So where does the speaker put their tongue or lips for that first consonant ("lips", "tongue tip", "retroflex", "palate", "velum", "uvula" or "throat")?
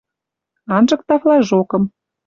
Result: tongue tip